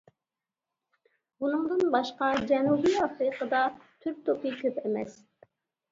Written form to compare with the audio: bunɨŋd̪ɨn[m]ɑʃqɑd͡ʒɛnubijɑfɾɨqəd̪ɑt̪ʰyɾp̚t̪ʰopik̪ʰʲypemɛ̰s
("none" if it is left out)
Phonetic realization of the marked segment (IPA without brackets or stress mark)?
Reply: b